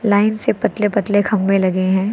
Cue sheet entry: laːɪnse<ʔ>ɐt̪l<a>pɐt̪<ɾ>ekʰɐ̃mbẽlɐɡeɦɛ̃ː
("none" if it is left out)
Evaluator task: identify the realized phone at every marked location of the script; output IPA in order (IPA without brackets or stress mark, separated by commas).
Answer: p, e, l